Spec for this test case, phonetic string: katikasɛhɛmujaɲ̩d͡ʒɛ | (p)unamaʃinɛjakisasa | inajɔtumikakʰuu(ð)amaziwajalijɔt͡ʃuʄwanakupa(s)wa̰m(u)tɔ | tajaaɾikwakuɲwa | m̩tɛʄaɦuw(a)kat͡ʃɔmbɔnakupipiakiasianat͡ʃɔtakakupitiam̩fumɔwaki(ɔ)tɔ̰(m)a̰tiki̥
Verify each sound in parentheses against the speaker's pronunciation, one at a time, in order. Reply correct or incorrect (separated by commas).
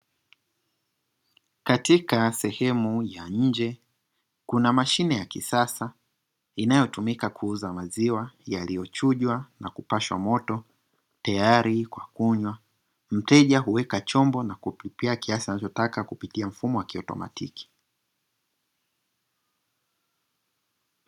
incorrect, incorrect, incorrect, incorrect, incorrect, correct, correct